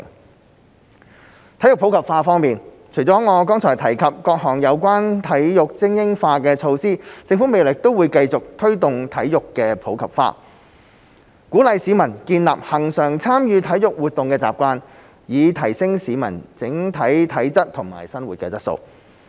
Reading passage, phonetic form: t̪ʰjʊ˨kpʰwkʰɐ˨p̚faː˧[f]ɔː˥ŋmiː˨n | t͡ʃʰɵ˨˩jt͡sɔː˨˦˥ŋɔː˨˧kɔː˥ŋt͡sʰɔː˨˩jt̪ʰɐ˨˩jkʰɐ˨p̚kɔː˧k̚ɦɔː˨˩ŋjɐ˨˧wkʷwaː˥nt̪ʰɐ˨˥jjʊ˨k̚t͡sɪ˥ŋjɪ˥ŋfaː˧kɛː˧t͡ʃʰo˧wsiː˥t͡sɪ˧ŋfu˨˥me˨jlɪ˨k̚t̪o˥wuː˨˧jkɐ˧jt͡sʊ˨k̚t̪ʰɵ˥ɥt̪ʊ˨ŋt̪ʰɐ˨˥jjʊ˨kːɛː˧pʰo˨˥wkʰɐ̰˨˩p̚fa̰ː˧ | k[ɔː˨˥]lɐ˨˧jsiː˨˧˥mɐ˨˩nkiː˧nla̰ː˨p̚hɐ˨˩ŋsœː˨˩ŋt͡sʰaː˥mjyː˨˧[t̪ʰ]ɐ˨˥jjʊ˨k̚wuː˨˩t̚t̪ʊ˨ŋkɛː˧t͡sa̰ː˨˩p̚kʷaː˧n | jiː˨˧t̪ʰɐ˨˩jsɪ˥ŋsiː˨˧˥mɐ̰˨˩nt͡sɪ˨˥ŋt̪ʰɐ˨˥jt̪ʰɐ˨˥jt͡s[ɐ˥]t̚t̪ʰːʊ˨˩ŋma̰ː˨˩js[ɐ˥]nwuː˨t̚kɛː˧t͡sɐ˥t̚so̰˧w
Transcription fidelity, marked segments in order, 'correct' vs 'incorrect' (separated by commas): correct, incorrect, correct, correct, correct